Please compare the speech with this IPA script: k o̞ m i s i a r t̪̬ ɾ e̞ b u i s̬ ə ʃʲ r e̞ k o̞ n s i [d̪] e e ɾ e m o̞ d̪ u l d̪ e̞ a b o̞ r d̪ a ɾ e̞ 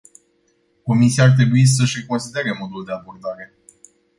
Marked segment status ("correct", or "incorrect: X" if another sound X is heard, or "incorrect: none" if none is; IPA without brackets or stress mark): correct